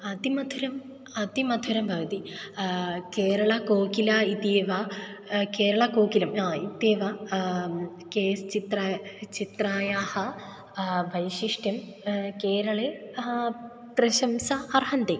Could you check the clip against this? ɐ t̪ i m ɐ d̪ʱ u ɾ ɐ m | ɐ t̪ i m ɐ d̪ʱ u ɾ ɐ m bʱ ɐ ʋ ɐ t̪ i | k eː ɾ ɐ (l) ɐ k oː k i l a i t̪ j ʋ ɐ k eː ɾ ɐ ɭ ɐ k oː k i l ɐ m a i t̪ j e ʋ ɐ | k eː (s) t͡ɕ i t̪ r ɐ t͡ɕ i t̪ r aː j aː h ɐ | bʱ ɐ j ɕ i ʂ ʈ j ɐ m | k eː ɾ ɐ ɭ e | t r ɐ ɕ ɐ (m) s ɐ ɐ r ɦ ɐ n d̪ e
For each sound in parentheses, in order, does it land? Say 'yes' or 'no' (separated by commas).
no, yes, yes